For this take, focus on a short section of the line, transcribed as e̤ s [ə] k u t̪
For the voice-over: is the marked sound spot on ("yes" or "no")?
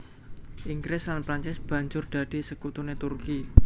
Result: yes